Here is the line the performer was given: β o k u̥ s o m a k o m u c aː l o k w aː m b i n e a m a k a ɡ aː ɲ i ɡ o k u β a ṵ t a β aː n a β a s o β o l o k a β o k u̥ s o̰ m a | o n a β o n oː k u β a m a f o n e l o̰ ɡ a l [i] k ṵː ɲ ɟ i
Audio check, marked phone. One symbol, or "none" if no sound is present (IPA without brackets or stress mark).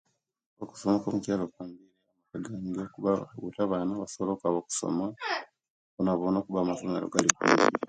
i